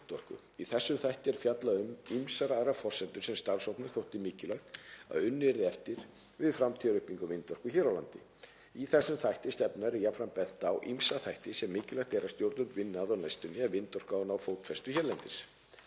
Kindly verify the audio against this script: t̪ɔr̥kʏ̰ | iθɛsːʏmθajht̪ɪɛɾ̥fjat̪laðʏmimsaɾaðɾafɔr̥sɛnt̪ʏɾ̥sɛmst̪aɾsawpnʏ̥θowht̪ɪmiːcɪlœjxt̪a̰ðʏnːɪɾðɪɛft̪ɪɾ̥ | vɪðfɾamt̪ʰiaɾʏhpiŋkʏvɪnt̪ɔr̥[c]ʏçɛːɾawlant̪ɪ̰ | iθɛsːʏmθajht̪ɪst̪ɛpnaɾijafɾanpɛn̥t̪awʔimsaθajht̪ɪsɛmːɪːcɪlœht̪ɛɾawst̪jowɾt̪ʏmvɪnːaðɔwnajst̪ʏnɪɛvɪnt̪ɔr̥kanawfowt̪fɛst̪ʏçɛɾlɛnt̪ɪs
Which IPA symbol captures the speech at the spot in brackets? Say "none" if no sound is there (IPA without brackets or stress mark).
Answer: k